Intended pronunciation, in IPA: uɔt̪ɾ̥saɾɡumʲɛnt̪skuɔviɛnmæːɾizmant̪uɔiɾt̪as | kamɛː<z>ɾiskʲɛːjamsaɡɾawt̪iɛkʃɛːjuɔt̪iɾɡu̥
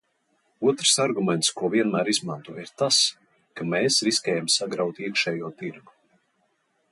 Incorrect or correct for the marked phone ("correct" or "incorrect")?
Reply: incorrect